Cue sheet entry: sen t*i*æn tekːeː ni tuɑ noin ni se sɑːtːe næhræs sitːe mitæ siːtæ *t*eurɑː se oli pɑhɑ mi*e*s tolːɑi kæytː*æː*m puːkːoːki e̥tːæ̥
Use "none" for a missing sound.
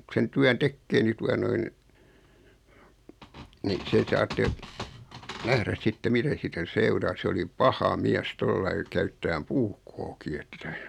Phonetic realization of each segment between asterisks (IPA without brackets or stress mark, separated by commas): y, s, æ, æː